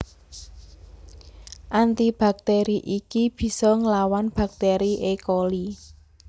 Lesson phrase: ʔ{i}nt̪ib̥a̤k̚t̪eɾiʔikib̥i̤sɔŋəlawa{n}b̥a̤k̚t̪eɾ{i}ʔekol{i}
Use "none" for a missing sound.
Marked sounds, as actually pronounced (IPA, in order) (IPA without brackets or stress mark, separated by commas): a, n, i, i